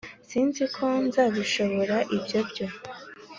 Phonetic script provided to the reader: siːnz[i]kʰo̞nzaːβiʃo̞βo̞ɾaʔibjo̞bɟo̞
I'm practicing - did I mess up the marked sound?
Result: no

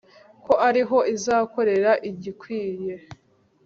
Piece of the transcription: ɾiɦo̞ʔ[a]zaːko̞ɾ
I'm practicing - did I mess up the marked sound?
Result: yes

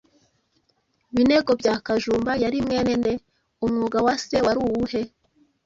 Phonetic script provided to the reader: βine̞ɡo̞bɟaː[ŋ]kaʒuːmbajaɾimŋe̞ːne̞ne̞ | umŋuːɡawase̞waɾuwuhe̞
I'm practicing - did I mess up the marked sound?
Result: yes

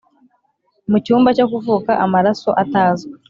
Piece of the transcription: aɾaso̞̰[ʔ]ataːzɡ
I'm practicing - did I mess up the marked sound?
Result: no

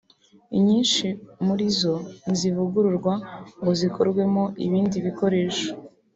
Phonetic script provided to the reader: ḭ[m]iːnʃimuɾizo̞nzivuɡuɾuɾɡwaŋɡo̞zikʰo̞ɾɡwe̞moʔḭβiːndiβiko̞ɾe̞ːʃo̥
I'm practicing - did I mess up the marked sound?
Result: yes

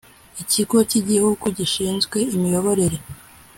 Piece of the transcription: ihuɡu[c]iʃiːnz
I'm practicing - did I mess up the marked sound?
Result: yes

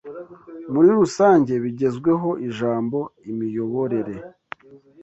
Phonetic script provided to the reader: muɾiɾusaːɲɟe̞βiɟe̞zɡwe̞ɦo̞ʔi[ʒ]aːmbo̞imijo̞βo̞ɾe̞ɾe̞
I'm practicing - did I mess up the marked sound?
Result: no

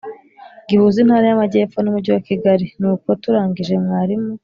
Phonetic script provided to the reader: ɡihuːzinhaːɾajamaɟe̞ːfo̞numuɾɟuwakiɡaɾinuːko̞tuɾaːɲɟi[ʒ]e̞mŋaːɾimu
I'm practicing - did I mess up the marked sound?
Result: no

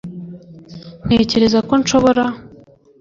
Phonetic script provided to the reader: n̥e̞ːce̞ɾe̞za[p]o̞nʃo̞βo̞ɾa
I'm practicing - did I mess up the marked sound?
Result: yes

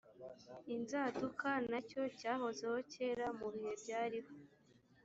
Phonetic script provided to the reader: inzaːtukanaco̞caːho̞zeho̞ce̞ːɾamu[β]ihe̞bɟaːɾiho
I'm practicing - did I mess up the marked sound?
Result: no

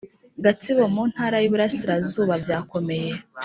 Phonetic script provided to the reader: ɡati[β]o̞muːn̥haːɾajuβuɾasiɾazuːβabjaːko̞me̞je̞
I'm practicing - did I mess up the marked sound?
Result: no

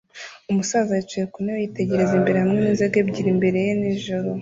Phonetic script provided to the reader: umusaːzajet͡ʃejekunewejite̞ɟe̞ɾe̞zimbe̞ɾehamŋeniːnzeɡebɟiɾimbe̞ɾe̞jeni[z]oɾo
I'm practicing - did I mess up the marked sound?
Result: yes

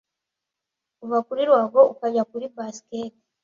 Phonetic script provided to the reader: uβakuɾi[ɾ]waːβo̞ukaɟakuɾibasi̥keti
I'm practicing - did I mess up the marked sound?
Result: no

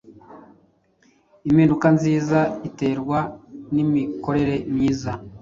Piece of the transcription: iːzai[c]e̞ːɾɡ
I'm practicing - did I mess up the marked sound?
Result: yes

